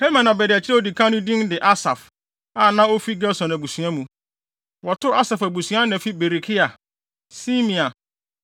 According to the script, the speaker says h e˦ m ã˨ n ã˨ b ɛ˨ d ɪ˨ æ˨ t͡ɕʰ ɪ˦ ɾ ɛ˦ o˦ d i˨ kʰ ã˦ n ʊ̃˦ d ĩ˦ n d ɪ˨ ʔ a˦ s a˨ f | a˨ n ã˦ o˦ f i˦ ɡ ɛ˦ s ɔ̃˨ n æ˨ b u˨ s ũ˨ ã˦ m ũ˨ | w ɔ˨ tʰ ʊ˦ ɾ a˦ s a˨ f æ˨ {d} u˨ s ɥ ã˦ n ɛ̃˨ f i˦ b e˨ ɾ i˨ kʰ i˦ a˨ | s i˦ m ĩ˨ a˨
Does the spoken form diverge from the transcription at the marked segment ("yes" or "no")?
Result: yes